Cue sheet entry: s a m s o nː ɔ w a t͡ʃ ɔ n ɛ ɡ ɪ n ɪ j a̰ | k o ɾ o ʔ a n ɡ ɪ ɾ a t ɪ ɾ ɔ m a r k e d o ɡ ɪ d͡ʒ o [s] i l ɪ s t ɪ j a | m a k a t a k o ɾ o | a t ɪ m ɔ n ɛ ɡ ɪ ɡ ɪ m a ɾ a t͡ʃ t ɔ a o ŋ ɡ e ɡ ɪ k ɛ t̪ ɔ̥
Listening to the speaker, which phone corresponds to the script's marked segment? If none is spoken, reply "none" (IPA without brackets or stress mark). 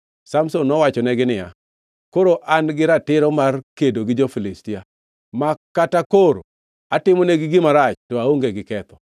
f